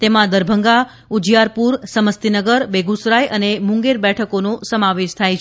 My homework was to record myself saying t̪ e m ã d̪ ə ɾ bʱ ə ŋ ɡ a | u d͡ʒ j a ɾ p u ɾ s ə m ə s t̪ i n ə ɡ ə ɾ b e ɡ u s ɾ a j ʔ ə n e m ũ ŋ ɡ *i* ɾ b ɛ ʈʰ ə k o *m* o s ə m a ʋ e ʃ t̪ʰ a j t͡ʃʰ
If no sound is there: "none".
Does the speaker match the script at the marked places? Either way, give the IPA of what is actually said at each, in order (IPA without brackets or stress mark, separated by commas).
e, n